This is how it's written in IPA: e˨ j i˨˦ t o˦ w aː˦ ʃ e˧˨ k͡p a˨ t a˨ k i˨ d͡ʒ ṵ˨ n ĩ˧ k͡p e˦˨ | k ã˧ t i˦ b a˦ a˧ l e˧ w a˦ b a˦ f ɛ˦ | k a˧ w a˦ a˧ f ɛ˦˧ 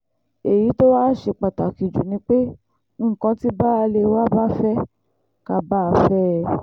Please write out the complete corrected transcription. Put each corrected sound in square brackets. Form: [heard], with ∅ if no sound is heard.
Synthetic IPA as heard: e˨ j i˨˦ t o˦ w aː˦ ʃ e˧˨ k͡p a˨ t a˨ k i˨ d͡ʒ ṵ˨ n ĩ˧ k͡p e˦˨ | k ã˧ t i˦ b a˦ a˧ l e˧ w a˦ b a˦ f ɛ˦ | k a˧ [b] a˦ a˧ f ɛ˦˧